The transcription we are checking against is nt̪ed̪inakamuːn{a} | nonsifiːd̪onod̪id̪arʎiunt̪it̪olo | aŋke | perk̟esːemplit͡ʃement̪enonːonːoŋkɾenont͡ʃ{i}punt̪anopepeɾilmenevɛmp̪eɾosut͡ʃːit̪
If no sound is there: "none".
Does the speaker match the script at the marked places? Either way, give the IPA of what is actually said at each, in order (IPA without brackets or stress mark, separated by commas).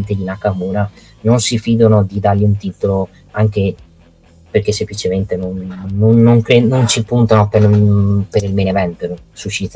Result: a, i